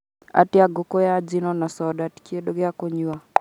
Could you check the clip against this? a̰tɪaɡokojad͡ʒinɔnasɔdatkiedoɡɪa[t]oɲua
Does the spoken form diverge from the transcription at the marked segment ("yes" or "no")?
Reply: yes